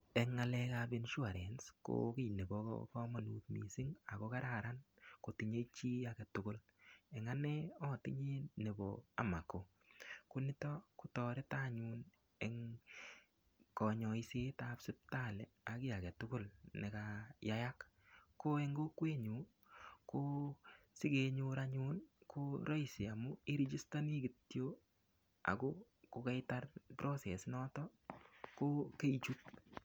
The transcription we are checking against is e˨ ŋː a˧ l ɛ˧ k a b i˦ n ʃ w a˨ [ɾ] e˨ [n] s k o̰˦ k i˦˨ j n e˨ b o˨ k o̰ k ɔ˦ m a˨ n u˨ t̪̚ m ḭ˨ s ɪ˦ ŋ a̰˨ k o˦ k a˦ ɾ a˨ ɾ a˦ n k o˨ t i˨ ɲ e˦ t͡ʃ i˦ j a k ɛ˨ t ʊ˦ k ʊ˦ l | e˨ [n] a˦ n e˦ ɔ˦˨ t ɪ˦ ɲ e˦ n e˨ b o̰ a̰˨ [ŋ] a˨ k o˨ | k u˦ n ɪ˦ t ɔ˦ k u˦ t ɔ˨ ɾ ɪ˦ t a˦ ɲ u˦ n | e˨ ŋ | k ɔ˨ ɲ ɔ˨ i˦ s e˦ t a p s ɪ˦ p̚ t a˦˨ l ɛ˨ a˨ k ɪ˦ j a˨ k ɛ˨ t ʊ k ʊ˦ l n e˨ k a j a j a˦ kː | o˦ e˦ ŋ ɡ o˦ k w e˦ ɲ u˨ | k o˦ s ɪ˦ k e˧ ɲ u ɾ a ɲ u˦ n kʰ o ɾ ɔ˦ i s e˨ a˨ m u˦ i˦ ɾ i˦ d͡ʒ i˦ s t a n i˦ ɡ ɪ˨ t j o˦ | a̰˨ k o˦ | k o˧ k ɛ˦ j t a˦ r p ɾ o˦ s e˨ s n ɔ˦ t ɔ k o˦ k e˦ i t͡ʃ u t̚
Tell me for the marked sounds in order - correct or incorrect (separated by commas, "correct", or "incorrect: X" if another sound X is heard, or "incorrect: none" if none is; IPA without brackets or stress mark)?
correct, correct, incorrect: ŋ, incorrect: m